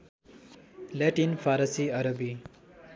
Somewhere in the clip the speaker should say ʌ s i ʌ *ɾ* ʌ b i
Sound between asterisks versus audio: correct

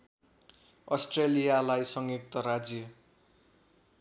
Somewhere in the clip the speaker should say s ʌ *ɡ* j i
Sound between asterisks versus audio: incorrect: ŋ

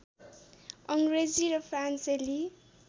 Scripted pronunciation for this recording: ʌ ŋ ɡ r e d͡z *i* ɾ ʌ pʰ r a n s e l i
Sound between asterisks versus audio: correct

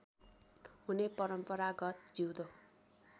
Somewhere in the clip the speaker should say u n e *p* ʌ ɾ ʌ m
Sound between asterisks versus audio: correct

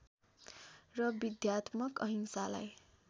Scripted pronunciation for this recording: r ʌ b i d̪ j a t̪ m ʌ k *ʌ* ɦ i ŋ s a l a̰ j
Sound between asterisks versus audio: correct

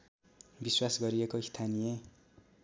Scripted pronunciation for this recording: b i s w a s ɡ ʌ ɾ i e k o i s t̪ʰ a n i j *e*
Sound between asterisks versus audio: correct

